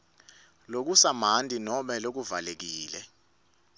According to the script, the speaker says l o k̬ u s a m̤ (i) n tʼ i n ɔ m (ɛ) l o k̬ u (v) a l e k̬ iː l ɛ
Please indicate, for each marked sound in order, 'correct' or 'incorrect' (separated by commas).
incorrect, correct, correct